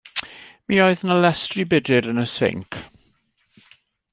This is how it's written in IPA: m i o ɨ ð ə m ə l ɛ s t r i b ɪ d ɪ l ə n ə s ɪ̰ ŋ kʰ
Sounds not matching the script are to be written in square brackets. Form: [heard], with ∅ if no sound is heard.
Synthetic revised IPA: m i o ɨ ð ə [n] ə l ɛ s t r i b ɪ d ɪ [ɾ] ə n ə s ɪ̰ ŋ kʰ